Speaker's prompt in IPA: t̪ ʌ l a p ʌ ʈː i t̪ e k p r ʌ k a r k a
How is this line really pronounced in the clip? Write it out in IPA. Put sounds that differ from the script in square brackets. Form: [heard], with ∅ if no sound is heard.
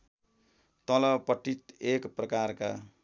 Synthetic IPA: t̪ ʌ l [ʌ] p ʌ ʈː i t̪ e k p r ʌ k a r k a